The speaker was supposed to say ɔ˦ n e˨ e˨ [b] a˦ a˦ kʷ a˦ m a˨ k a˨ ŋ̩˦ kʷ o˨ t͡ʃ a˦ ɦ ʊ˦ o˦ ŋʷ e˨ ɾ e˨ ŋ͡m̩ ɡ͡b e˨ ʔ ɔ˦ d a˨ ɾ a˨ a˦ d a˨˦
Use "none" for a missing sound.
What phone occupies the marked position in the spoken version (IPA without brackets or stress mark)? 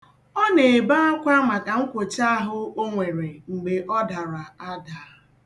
b